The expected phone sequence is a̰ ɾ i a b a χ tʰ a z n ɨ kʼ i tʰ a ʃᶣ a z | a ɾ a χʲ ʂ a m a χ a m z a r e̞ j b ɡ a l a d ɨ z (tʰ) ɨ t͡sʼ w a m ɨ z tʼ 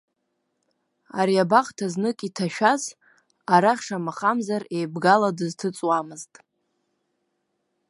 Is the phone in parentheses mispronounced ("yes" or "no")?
no